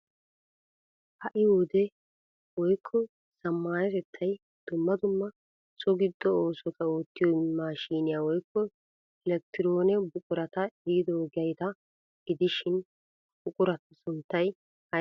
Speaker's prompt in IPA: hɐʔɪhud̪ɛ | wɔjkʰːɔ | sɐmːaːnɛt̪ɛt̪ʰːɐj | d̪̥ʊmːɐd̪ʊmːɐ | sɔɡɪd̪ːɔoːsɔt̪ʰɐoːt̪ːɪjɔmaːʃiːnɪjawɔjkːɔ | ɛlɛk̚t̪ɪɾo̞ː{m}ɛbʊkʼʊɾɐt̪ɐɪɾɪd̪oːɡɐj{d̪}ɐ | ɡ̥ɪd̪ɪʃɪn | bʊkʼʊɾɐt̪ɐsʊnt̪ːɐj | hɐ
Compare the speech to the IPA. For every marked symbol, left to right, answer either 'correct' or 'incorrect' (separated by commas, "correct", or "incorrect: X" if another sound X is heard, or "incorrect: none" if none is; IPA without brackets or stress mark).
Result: incorrect: n, incorrect: t̪